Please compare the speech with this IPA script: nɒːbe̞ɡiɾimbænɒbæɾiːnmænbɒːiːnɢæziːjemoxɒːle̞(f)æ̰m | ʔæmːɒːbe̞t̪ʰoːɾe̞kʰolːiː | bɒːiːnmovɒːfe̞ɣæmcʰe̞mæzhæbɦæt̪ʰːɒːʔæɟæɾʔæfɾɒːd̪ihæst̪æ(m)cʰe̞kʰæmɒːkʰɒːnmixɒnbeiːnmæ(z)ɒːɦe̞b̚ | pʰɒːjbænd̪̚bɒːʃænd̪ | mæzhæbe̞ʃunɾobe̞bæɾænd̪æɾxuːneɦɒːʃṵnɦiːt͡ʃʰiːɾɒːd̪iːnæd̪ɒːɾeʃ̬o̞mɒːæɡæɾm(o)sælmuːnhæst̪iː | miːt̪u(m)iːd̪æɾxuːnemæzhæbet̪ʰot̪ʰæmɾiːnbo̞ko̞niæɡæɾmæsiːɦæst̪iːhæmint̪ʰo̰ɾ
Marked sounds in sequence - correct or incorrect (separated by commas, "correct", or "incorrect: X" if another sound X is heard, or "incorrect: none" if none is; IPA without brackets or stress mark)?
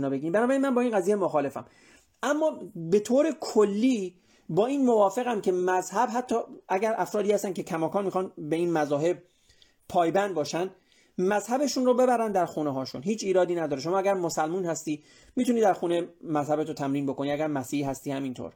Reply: correct, incorrect: n, correct, correct, incorrect: n